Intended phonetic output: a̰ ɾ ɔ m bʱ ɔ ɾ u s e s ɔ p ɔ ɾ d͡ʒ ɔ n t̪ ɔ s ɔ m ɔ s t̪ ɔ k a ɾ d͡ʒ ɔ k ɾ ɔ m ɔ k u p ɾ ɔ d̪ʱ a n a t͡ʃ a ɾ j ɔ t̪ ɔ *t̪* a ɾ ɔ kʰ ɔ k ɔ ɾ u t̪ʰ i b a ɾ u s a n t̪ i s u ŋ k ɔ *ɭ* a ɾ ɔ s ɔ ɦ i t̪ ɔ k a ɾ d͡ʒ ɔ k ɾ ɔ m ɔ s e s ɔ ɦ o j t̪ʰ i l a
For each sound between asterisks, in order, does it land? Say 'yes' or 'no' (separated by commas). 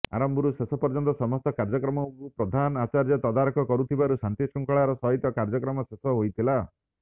no, yes